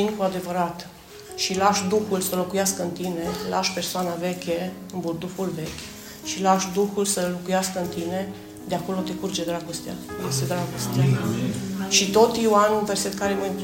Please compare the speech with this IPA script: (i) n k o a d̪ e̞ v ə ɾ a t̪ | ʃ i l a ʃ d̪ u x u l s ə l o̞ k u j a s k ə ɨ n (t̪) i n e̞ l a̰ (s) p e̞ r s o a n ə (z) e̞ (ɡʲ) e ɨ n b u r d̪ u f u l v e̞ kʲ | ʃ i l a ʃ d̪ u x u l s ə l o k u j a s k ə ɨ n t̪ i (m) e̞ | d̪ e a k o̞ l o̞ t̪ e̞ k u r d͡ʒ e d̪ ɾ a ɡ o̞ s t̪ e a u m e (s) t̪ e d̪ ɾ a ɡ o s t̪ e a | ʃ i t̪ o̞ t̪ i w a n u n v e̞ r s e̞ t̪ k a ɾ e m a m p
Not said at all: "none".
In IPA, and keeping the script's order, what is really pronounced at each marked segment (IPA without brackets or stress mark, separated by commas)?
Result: i, t̪, ʃ, v, kʲ, n, s